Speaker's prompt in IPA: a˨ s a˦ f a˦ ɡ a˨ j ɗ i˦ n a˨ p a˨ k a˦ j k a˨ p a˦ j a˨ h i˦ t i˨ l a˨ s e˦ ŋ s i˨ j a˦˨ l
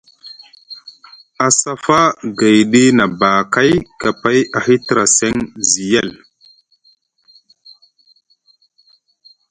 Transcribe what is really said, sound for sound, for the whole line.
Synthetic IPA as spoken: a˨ s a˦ f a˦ ɡ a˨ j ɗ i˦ n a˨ b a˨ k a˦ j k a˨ p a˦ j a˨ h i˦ t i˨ ɾ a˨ s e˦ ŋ z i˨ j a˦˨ l